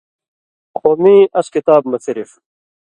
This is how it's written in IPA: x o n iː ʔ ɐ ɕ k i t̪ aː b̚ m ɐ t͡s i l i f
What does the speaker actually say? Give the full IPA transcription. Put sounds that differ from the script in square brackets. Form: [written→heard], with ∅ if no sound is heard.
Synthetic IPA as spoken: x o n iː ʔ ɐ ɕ k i t̪ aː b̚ m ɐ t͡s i [l→ɾ] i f